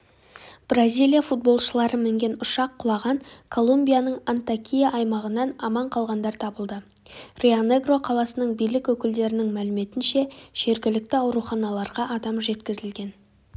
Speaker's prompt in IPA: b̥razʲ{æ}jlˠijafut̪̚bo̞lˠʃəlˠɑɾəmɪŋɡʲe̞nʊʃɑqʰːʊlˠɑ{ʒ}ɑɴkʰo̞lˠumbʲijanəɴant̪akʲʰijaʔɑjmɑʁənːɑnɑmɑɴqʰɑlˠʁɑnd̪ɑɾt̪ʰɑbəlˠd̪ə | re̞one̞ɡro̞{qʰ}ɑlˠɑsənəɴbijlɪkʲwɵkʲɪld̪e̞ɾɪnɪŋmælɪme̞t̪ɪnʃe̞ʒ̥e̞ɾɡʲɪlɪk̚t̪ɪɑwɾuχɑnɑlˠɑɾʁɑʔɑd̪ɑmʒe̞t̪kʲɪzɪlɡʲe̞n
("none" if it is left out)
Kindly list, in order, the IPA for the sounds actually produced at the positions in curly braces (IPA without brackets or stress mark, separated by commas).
i, ʁ, qʰ